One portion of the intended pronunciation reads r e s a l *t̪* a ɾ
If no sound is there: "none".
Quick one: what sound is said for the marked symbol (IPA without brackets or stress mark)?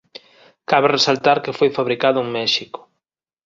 t̪